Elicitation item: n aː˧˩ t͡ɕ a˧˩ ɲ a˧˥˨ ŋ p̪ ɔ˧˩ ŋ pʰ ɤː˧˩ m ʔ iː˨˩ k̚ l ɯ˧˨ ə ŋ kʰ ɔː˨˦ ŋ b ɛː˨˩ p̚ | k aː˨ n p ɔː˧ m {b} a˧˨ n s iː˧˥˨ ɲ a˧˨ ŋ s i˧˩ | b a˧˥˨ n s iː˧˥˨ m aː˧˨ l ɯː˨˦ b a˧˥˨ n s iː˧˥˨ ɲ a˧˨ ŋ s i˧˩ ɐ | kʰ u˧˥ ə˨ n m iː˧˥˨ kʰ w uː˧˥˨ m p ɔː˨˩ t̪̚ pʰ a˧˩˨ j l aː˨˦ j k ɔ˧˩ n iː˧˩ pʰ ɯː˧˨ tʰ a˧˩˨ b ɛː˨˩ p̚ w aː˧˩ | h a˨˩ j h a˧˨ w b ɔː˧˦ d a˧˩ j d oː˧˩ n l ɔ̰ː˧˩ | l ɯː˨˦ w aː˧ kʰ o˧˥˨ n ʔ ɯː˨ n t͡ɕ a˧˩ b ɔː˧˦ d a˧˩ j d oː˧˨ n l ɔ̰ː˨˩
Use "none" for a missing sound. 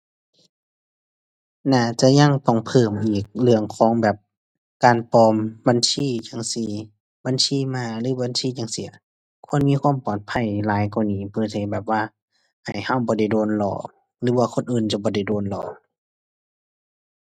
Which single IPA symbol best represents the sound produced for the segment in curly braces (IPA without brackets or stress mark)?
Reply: b